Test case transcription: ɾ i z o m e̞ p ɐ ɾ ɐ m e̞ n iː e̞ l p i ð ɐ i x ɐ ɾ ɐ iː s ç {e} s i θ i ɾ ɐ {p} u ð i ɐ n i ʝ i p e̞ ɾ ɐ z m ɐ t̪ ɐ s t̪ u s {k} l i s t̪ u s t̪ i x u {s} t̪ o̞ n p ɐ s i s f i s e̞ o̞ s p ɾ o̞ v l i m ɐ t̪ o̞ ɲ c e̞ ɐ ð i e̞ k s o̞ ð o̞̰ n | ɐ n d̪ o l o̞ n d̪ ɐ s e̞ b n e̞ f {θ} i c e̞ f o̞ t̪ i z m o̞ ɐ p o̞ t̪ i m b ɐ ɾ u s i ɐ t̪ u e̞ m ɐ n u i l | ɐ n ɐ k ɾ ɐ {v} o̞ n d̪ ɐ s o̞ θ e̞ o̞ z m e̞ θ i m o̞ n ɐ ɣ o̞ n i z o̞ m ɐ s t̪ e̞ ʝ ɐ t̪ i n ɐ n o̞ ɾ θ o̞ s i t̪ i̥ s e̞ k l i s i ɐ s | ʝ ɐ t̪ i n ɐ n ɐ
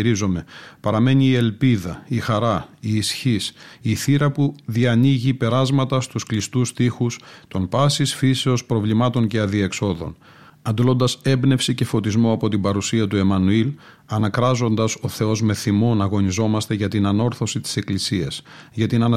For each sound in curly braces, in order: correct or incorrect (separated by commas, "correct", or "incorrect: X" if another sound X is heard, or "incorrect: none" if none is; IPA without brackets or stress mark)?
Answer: incorrect: i, correct, correct, correct, incorrect: s, incorrect: z